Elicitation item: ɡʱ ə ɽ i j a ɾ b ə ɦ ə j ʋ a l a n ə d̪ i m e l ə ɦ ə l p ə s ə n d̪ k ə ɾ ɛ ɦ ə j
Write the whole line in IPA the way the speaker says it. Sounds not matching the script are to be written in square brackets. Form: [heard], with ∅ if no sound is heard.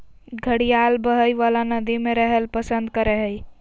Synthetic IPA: ɡʱ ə ɽ i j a [l] b ə ɦ ə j ʋ a l a n ə d̪ i m e [ɾ] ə ɦ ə l p ə s ə n d̪ k ə ɾ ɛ ɦ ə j